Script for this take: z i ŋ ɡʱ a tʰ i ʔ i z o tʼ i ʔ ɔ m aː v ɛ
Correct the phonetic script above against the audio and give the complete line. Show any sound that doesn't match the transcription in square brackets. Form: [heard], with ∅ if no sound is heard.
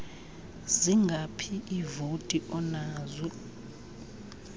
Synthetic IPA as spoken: z i ŋ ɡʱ a [pʰ] i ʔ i [v] o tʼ i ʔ ɔ [n] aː [z] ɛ

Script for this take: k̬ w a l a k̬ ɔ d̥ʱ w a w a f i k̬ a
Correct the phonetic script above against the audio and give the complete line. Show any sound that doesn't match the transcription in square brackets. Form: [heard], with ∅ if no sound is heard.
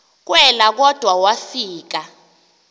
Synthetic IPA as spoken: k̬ w [ɛ] l a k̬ ɔ d̥ʱ w a w a f [iː] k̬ a

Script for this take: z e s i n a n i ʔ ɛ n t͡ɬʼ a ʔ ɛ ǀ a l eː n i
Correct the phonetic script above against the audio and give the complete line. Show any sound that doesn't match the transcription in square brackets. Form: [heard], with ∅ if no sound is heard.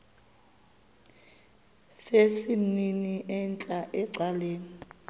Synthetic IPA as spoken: [s] e s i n [i] n i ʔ ɛ n t͡ɬʼ a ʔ ɛ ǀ a l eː n i

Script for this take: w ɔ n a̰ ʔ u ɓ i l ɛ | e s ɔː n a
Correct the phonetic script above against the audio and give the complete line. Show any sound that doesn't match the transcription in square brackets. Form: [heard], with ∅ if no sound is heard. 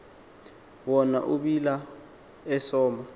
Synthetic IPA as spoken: w ɔ n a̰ ʔ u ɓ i l [a] | [ɛ] s ɔː [m] a

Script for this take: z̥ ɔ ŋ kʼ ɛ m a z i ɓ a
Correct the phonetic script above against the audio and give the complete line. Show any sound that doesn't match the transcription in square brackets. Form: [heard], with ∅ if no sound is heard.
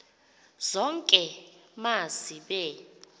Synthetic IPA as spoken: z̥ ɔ ŋ kʼ ɛ m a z i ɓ [ɛ]

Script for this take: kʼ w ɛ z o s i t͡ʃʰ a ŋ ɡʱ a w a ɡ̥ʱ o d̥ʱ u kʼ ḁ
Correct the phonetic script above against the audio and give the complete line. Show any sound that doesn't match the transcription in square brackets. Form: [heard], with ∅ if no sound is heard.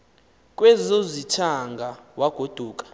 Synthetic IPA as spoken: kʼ w ɛ z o [z] i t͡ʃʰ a ŋ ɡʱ a w a ɡ̥ʱ o d̥ʱ [uː] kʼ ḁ

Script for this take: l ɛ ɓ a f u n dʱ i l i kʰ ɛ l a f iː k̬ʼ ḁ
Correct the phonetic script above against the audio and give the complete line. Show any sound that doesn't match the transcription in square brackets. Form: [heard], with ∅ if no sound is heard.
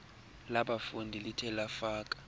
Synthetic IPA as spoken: l [a] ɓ a f u n dʱ i l i [tʰ] ɛ l a f [aː] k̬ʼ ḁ

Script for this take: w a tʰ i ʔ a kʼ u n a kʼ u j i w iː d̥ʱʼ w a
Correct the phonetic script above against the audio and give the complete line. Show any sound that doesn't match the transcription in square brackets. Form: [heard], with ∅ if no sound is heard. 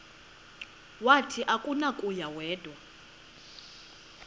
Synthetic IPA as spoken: w a tʰ i ʔ a kʼ u n a kʼ u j [a] w [ɛː] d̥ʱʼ w a

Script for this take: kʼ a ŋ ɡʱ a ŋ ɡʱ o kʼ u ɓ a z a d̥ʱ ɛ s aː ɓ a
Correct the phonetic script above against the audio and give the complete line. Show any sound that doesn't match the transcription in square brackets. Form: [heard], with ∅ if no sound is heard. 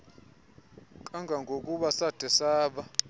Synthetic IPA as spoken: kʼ a ŋ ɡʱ a ŋ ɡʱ o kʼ u ɓ a [s] a d̥ʱ ɛ s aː ɓ a

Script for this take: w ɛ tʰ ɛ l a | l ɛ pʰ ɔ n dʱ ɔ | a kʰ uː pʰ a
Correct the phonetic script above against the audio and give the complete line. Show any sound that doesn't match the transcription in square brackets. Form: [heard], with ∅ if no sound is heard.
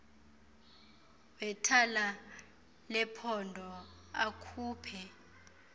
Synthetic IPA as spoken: w ɛ tʰ [a] l a | l ɛ pʰ ɔ n dʱ ɔ | a kʰ uː pʰ [ɛ]

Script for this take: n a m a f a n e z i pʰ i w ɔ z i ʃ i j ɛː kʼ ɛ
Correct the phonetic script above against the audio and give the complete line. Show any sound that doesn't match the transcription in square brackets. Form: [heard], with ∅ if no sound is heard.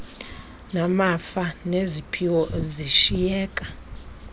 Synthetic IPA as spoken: n a m a f a n e z i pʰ i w ɔ z i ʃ i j ɛː kʼ [a]

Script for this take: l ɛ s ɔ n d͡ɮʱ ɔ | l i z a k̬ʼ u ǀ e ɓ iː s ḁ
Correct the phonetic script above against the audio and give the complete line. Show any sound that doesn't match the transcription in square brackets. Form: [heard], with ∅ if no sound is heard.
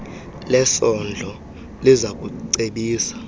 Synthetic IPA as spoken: l ɛ s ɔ n d͡ɮʱ ɔ | l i z a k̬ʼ u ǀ e ɓ iː s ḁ

